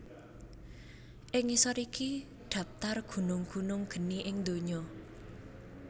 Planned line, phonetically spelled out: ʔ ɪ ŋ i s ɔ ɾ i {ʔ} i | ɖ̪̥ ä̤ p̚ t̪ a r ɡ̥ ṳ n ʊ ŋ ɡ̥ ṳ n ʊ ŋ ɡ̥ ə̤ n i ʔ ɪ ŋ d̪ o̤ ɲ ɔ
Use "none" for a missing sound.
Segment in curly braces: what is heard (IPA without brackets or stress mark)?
k